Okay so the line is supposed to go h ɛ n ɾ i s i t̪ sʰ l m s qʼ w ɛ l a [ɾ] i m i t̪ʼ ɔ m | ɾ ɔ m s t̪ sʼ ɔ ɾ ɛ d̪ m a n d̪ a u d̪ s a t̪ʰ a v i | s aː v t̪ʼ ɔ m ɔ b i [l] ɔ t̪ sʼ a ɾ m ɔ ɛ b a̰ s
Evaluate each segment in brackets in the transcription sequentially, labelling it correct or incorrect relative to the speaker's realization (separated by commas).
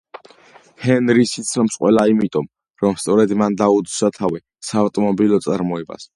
incorrect, correct